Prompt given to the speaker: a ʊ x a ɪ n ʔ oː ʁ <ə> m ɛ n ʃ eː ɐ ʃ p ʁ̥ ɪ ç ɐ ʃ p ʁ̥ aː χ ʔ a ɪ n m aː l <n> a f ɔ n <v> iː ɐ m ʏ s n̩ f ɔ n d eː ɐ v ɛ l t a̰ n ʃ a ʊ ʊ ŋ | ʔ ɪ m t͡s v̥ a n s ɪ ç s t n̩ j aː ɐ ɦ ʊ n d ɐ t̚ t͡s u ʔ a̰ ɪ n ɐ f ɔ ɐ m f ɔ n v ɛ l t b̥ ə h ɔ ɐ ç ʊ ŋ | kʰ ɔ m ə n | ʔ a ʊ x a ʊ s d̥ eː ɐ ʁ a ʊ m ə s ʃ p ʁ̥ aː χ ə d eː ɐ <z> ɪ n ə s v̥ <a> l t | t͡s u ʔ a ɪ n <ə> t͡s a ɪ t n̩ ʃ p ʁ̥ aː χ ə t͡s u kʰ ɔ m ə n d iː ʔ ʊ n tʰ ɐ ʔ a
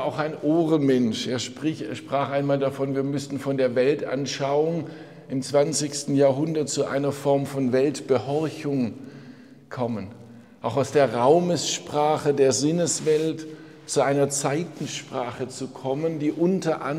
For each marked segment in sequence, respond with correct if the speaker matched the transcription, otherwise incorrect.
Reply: correct, incorrect: d, correct, correct, incorrect: ɛ, incorrect: ɐ

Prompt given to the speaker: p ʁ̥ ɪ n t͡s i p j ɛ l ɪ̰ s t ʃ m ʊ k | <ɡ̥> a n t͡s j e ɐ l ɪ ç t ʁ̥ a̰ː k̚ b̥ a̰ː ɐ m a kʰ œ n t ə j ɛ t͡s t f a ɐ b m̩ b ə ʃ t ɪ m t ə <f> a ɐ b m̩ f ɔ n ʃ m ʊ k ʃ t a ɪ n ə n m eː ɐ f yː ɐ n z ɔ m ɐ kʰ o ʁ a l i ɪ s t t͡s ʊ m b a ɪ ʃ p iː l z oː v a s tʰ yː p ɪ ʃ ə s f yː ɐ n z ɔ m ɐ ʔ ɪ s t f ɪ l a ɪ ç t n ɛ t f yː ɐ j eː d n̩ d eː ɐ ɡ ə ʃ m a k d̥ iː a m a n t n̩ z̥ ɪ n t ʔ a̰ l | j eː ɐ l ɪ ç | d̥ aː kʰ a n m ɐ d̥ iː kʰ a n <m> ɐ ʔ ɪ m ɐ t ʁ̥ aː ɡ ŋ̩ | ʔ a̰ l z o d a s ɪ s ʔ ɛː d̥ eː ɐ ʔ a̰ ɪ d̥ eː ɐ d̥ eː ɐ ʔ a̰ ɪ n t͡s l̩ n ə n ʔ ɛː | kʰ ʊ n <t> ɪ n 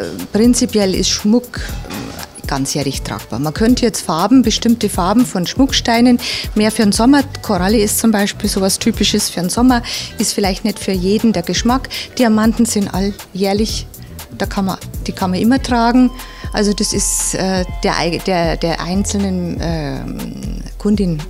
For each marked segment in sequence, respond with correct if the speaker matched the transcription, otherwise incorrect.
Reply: correct, correct, correct, incorrect: d

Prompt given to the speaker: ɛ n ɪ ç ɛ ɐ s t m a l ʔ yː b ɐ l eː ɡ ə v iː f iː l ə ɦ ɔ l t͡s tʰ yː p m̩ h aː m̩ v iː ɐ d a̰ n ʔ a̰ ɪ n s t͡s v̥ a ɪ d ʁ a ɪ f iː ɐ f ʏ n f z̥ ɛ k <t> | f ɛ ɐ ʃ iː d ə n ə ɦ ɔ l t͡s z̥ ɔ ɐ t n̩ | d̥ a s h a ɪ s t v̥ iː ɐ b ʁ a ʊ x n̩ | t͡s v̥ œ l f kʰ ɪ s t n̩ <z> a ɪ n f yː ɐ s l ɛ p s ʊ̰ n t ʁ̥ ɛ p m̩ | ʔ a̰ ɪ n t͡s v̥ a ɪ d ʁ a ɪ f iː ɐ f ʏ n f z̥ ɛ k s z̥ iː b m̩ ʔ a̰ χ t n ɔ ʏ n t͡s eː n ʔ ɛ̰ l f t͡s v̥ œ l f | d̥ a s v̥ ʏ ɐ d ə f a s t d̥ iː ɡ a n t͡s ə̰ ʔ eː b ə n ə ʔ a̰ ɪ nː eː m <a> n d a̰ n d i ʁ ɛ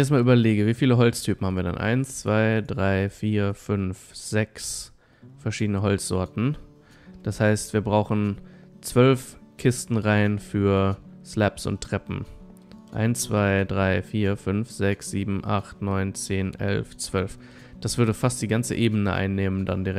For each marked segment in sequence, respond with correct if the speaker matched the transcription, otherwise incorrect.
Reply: incorrect: s, incorrect: ʁ, incorrect: ə

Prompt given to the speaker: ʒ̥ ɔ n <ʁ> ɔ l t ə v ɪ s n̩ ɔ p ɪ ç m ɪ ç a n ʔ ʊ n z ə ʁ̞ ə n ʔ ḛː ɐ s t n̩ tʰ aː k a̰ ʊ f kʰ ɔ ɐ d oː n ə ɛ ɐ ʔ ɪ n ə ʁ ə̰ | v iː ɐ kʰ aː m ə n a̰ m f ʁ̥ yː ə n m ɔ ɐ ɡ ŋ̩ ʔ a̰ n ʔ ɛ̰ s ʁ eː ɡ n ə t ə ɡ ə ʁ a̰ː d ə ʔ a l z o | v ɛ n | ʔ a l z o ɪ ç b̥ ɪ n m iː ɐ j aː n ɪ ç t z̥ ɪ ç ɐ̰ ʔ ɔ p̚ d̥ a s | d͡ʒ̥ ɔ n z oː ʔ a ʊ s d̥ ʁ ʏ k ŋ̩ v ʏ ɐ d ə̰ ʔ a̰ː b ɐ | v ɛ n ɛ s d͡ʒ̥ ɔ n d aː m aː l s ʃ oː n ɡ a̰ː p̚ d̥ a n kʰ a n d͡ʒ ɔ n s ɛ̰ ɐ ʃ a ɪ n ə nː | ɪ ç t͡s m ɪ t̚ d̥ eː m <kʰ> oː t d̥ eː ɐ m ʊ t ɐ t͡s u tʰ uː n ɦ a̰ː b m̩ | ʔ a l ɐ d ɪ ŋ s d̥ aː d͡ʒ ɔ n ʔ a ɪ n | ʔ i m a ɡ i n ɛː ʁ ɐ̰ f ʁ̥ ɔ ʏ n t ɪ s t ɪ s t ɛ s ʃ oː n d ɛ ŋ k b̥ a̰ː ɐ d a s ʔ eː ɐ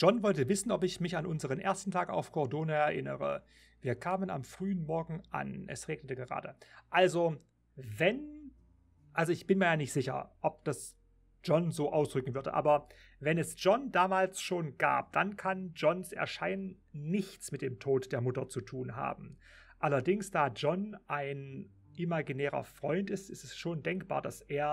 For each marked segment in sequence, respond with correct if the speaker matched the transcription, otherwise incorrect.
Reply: incorrect: v, incorrect: tʰ

